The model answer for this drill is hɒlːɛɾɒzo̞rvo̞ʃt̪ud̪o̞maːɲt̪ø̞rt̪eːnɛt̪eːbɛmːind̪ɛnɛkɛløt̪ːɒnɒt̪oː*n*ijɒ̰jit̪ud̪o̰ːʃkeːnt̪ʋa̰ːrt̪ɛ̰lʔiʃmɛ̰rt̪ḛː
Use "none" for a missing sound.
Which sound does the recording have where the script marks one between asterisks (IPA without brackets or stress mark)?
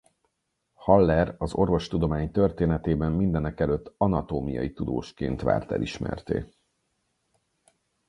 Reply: m